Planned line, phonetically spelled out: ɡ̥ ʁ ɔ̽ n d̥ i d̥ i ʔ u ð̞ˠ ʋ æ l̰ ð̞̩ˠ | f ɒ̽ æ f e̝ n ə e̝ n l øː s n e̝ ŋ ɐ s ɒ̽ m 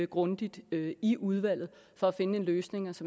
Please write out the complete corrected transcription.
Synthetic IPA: ɡ̥ ʁ ɔ̽ n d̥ i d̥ i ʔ u ð̞ˠ ʋ æ l̰ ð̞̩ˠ | f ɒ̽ æ f e̝ n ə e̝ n l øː s n e̝ ŋ ɐ s ɒ̽ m

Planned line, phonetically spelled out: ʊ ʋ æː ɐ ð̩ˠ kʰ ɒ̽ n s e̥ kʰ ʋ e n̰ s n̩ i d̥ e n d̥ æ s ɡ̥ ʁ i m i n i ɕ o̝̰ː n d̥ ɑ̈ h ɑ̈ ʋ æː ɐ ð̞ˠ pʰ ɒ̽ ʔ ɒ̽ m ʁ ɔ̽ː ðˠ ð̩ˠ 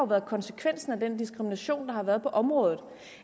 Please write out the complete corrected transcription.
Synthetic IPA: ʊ ʋ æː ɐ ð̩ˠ kʰ ɒ̽ n s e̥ kʰ ʋ e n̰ s n̩ æ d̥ e n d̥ i s ɡ̥ ʁ i m i n æ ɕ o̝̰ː n d̥ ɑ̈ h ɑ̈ ʋ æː ɐ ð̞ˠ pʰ ɒ̽ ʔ ɒ̽ m ʁ ɔ̽ː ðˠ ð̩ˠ

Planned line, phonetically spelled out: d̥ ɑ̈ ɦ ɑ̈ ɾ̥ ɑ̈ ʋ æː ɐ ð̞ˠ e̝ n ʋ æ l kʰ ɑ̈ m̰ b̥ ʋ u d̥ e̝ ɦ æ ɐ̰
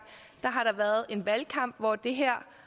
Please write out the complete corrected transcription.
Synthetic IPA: d̥ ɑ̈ ɦ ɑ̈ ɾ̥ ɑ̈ ʋ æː ɐ ð̞ˠ e̝ n ʋ æ l kʰ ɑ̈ m̰ b̥ ʋ ɒ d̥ e̝ ɦ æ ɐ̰

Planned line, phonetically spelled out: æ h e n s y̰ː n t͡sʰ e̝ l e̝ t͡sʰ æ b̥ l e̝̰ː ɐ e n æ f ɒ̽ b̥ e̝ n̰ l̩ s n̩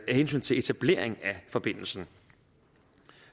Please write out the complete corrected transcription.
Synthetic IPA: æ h e n s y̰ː n t͡sʰ e̝ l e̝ t͡sʰ æ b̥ l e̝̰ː ɐ e ŋ æ f ɒ̽ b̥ e̝ n̰ l̩ s n̩

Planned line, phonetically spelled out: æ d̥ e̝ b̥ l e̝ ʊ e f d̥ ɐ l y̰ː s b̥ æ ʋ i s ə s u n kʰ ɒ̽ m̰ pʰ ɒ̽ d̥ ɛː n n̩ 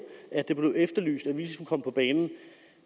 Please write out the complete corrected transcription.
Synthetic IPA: æ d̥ e̝ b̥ l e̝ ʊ e f d̥ ɐ l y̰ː s d̥ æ ʋ i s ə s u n kʰ ɒ̽ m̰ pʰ ɒ̽ b̥ ɛː n n̩

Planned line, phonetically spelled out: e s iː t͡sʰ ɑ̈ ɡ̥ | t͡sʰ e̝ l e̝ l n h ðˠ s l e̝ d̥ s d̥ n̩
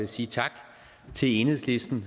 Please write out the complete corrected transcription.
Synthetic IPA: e s iː t͡sʰ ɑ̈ ɡ̥ | t͡sʰ e̝ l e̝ n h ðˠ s l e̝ s d̥ n̩

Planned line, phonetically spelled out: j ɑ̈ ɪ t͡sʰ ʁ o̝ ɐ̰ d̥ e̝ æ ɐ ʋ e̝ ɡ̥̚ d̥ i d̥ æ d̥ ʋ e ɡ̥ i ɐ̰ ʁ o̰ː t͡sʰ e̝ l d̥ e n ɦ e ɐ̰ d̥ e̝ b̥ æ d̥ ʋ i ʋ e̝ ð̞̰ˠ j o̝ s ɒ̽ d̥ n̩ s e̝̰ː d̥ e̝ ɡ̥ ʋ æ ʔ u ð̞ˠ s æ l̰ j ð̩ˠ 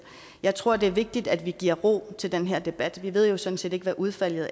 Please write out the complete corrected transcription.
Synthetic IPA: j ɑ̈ ɪ t͡sʰ ʁ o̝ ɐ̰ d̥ e̝ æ ɐ ʋ e̝ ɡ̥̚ d̥ i d̥ æ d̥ ʋ i ɡ̥ i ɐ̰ ʁ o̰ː t͡sʰ e̝ l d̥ e n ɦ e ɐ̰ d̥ e̝ b̥ æ d̥ ʋ i ʋ e̝ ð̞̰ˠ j o̝ s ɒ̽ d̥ n̩ s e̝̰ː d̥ e̝ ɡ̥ ʋ æ ʔ u ð̞ˠ f æ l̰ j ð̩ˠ

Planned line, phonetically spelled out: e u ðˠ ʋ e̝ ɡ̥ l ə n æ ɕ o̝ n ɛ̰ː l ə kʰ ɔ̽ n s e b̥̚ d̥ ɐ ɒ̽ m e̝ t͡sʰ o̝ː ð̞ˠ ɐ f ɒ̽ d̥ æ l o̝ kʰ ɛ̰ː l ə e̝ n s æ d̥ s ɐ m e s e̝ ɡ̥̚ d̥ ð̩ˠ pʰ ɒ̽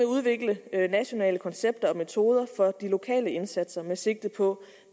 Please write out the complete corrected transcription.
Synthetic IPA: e u ðˠ ʋ e̝ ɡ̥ l ə n æ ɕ o̝ n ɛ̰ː l ə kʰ ɒ̽ n s e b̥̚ d̥ ɐ ɒ̽ m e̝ t͡sʰ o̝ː ð̞ˠ ɐ f ɒ̽ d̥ i l o̝ kʰ ɛ̰ː l ə e̝ n s æ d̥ s ɐ m e s e̝ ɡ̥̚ d̥ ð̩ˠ pʰ ɒ̽

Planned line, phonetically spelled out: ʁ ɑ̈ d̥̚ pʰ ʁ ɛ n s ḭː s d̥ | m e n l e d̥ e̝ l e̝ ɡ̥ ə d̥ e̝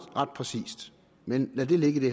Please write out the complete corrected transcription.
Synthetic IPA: ʁ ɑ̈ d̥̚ pʰ ʁ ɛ s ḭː s d̥ | m e n l æ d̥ e̝ l e̝ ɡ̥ ə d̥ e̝

